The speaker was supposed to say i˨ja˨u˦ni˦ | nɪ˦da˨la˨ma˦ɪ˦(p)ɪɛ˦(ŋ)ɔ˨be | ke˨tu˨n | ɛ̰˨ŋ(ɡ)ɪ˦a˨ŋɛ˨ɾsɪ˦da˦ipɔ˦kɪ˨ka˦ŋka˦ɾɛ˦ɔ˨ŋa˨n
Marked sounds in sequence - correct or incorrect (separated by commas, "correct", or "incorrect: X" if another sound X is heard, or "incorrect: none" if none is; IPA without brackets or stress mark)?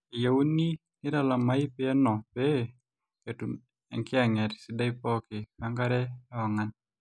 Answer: correct, incorrect: n, incorrect: k